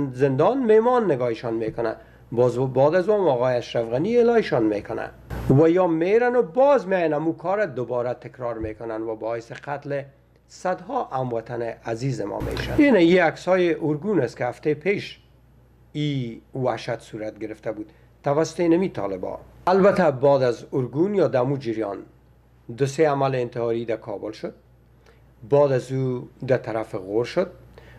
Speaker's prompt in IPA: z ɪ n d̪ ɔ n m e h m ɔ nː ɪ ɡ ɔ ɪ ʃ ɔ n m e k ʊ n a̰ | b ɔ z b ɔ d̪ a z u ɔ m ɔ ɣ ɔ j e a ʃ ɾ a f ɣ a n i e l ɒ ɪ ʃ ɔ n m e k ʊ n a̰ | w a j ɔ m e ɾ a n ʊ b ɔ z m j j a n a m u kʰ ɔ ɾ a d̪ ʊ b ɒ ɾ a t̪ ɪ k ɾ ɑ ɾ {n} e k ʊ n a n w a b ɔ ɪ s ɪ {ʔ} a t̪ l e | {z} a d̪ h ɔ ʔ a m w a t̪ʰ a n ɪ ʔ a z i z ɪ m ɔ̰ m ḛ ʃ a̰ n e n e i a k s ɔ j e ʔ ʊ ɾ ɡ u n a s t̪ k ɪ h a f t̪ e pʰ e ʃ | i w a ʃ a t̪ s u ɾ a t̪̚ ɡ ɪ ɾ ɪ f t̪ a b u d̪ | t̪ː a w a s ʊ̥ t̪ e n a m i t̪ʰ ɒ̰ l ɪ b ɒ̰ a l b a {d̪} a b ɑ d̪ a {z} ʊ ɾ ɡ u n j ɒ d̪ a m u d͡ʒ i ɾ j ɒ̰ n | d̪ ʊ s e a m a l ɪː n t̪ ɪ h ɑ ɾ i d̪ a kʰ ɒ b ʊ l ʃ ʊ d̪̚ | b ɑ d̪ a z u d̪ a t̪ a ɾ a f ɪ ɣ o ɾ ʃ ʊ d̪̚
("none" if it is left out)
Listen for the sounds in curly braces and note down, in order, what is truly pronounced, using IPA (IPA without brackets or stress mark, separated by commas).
m, q, s, t̪, z